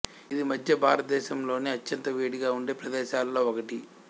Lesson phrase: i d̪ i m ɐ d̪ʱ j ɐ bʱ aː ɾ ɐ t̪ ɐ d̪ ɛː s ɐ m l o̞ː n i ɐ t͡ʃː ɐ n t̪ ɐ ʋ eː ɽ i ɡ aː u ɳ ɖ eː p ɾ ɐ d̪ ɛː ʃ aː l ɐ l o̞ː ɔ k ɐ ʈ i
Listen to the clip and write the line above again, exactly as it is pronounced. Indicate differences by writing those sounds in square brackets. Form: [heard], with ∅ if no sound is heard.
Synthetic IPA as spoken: i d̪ i m ɐ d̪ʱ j ɐ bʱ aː ɾ ɐ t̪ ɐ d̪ ɛː [ʃ] ɐ m l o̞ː n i ɐ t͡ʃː ɐ n t̪ ɐ ʋ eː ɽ i ɡ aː u ɳ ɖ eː p ɾ ɐ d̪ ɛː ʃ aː l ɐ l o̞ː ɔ k ɐ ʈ i